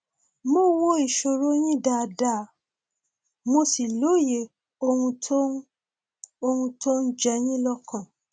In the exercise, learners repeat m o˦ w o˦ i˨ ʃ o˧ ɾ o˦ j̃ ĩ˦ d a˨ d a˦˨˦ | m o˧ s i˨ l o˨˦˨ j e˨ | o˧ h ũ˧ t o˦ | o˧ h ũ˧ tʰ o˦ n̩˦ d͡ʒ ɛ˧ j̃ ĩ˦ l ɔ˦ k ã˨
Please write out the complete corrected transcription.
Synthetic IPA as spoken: m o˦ w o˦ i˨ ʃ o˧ ɾ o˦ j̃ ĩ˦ d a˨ d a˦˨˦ | m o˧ s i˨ l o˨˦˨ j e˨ | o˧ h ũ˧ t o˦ | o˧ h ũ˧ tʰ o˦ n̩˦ d͡ʒ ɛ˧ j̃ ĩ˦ l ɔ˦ k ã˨